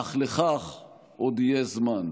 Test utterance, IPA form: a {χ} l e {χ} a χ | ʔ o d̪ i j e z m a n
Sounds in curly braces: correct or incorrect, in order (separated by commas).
correct, correct